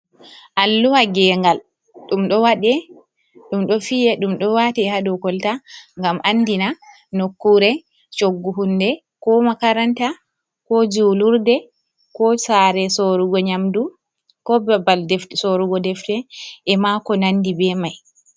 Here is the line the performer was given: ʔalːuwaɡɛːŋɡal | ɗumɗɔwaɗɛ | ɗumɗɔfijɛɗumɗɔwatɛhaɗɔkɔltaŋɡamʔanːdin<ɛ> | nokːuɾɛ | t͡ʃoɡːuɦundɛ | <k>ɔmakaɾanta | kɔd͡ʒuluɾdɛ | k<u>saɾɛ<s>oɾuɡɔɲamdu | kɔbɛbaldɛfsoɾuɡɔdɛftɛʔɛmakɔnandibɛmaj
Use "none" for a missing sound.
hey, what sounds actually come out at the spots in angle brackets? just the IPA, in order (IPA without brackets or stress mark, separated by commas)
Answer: a, k, ɔ, s